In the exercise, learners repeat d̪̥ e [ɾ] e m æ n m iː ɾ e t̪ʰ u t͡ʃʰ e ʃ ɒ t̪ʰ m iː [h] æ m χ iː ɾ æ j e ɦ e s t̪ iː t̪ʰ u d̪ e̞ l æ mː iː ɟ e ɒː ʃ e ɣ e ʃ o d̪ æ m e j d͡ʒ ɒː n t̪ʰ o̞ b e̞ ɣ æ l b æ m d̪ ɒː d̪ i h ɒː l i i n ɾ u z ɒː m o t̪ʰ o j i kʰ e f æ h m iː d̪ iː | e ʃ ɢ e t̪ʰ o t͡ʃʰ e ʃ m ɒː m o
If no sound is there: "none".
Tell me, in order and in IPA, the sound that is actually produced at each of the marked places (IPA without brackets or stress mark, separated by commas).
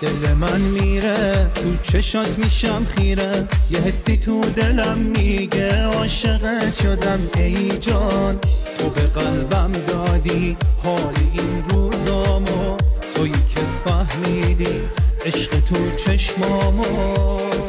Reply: l, ʃ